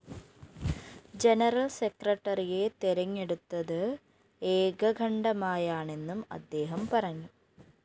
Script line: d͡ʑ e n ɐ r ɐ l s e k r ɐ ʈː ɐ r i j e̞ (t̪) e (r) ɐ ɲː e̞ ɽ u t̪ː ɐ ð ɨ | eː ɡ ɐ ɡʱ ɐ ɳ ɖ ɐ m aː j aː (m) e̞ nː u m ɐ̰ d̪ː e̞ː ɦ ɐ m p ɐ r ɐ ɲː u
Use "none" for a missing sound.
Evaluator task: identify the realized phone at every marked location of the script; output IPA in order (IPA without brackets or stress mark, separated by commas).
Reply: t̪, ɾ, ɳ